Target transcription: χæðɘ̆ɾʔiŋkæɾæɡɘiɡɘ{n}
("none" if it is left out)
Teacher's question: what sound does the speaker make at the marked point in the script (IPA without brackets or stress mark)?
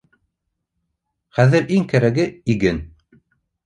n